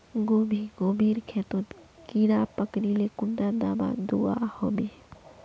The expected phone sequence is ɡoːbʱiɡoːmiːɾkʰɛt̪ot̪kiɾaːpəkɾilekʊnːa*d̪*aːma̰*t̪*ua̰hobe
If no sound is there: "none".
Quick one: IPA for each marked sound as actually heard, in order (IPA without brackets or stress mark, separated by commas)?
d̪, d̪